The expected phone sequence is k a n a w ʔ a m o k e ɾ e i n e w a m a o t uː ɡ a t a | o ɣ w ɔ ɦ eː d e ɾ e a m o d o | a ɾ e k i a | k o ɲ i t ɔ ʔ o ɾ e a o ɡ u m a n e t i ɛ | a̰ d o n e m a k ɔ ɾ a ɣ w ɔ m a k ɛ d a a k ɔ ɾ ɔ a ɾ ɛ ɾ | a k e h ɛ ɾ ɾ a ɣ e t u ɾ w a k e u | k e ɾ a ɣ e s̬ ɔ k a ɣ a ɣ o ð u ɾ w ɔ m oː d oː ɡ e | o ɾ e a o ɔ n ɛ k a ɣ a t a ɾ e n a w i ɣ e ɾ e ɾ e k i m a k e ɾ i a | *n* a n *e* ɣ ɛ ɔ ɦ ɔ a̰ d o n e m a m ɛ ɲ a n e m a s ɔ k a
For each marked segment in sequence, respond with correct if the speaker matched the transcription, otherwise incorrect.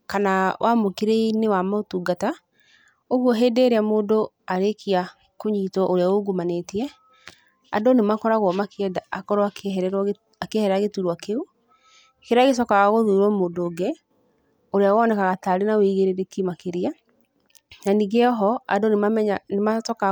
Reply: correct, incorrect: i

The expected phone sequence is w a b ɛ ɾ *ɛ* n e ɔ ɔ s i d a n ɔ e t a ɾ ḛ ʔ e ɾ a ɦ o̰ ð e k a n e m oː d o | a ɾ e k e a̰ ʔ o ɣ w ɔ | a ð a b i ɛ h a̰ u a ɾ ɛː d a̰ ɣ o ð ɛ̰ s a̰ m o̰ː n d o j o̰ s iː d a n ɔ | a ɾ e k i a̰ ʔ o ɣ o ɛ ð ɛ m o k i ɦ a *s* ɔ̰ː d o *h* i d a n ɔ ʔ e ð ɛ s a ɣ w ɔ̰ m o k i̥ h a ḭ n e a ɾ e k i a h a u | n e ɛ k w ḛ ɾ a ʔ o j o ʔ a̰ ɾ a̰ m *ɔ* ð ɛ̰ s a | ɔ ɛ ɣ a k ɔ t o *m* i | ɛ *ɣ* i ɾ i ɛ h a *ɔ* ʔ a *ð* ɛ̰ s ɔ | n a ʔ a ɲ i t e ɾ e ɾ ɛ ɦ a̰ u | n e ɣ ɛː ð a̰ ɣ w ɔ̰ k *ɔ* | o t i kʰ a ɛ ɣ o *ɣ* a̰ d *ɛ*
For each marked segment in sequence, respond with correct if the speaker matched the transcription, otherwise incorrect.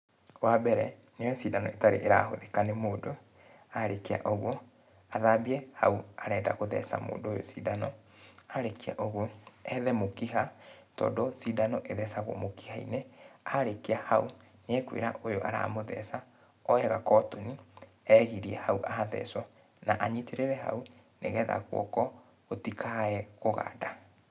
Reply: correct, incorrect: t, incorrect: s, incorrect: o, incorrect: n, correct, incorrect: u, correct, correct, correct, incorrect: a

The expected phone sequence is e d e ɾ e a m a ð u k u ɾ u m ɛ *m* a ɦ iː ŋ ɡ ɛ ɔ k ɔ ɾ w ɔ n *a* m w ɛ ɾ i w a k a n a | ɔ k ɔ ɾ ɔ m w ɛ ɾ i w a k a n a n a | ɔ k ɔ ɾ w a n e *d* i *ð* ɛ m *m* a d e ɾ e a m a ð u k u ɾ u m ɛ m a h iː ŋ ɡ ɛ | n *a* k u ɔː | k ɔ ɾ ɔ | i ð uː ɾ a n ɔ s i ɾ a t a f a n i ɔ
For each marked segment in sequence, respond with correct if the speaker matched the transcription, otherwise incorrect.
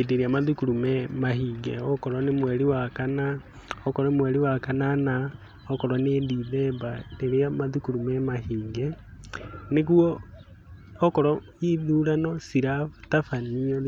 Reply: correct, incorrect: e, correct, correct, incorrect: b, incorrect: e

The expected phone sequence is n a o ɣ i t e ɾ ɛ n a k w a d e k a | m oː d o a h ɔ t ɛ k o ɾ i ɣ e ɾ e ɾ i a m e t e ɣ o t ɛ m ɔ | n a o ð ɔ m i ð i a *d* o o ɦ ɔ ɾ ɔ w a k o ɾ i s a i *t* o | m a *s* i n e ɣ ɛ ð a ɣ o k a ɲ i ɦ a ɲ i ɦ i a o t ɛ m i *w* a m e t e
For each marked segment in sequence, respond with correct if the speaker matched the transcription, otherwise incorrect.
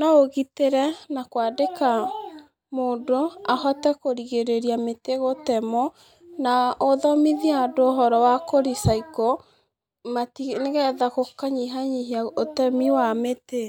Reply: correct, incorrect: k, incorrect: t, correct

